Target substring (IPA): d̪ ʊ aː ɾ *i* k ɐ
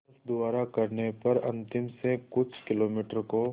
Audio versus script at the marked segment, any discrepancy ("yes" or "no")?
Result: yes